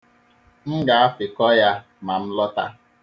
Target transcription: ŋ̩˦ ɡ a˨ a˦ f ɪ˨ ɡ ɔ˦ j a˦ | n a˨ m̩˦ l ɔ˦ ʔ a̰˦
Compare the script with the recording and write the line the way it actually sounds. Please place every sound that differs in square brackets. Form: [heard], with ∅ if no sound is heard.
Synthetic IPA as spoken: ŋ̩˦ ɡ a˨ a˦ f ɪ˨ [k] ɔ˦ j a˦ | [m] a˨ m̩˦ l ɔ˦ [t] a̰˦